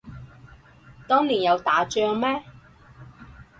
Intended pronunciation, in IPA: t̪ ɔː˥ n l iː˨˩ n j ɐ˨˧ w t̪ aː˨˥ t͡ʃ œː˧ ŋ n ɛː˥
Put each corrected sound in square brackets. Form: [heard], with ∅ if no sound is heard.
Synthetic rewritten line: t̪ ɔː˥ [ŋ] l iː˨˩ n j ɐ˨˧ w t̪ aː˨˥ t͡ʃ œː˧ ŋ [m] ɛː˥